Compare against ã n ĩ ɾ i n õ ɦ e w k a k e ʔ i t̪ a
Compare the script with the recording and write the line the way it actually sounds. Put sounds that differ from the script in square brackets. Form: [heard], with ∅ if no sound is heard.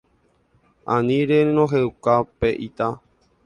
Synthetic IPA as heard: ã n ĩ ɾ [e] n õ ɦ e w k a [p] e ʔ i t̪ a